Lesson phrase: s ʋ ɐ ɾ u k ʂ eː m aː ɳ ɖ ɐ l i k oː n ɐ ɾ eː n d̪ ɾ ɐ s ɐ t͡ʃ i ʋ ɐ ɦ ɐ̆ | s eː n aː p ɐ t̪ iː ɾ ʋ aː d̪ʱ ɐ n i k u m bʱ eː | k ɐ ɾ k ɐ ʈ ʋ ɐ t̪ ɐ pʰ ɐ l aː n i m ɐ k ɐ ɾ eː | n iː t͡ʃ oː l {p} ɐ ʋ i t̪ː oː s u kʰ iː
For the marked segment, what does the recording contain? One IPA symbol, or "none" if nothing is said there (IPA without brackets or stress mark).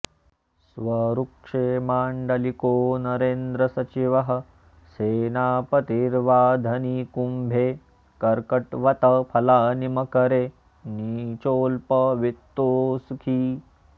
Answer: p